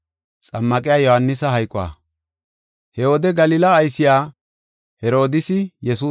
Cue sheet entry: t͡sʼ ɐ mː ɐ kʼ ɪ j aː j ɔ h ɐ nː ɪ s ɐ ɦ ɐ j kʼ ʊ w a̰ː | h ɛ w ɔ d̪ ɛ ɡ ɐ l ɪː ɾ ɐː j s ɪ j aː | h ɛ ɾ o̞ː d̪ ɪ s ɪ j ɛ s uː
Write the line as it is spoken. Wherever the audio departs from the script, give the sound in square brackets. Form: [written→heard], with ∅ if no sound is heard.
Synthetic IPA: t͡sʼ ɐ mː ɐ kʼ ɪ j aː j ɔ h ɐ nː ɪ s ɐ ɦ ɐ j kʼ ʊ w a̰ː | h ɛ w ɔ d̪ ɛ ɡ ɐ l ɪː [ɾ→l] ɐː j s ɪ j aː | h ɛ ɾ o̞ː d̪ ɪ s ɪ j ɛ s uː